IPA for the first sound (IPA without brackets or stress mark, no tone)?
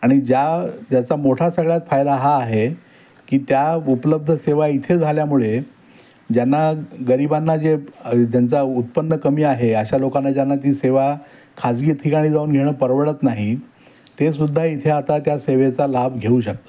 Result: a